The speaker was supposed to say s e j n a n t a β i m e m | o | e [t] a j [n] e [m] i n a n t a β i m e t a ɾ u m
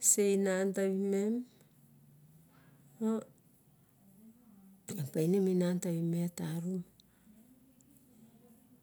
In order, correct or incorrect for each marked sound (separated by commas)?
incorrect, correct, correct